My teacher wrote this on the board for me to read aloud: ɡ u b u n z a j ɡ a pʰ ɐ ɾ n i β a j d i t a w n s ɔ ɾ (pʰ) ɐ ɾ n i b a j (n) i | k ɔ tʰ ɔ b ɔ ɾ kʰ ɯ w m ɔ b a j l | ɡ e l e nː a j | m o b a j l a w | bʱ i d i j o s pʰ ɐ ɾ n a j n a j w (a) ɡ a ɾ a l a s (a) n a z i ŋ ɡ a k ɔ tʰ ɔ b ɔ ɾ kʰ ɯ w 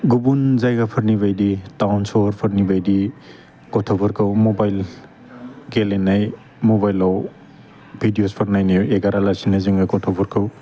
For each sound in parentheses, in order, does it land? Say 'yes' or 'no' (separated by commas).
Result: yes, no, no, no